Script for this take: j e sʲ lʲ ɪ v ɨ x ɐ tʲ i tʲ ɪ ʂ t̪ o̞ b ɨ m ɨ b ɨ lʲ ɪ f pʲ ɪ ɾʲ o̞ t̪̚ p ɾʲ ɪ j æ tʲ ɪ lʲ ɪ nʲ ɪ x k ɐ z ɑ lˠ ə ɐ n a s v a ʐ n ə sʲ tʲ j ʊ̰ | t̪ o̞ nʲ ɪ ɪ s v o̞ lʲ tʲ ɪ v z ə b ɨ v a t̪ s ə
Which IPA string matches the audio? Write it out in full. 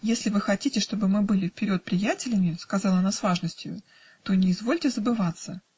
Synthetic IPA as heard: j e sʲ lʲ ɪ v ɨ x ɐ tʲ i tʲ ɪ ʂ t̪ o̞ b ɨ m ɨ b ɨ lʲ ɪ f pʲ ɪ ɾʲ o̞ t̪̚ p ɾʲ ɪ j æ tʲ ɪ lʲ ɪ mʲ ɪ s k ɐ z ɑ lˠ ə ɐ n a s v a ʐ n ə sʲ tʲ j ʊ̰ | t̪ o̞ nʲ ɪ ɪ z v o̞ lʲ tʲ ɪ z ə b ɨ v a t̪ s ə